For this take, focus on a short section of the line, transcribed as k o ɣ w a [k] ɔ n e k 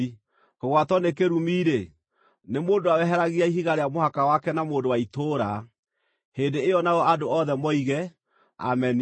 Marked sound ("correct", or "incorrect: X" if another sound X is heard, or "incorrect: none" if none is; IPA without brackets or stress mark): incorrect: t